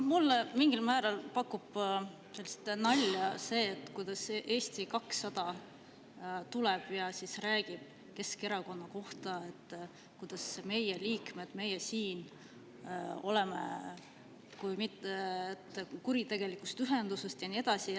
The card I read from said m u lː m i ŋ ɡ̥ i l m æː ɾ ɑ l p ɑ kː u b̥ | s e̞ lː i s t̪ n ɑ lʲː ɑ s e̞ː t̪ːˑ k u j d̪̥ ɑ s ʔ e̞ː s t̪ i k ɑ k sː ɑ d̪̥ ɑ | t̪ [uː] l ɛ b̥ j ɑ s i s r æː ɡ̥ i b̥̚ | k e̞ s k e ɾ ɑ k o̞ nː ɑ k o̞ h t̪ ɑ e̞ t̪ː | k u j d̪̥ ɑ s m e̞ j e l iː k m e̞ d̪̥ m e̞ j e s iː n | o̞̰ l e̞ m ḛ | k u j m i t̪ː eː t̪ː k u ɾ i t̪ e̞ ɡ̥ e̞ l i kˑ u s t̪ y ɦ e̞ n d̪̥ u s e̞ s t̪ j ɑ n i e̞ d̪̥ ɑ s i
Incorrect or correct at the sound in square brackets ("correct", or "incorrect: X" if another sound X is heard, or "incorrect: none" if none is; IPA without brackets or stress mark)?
incorrect: u